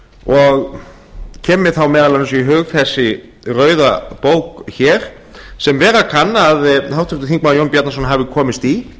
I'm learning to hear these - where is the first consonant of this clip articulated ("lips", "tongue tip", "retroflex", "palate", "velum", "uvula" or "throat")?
velum